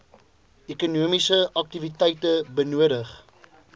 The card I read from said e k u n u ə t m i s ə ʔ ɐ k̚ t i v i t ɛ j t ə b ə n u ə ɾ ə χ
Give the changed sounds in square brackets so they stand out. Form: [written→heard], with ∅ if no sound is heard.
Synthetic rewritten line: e k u n u ə [t→∅] m i s ə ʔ ɐ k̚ t i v i t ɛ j t ə b ə n u ə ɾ ə χ